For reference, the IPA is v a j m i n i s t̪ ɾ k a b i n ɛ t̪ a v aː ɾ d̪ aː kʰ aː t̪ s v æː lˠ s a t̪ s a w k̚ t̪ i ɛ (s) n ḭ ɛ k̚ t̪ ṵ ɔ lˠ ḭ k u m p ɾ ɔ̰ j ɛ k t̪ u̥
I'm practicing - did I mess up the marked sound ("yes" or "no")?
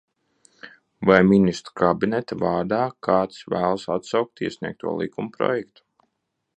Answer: no